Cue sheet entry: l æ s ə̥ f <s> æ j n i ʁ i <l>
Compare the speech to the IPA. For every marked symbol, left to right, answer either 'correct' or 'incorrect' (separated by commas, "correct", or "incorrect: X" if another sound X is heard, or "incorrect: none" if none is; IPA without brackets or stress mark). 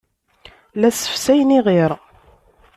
correct, incorrect: ɾ